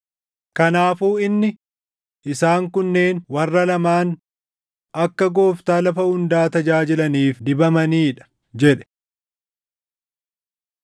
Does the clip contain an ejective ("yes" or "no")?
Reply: no